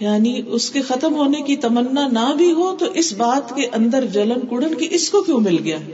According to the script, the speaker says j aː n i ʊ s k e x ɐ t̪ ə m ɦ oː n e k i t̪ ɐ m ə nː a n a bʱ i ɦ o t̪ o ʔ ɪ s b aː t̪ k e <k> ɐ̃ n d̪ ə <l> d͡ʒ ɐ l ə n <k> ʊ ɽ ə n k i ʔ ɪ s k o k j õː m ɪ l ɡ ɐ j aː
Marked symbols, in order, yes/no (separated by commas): no, no, yes